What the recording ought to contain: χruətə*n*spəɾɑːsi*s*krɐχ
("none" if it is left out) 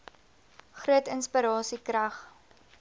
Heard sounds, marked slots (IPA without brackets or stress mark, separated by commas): n, none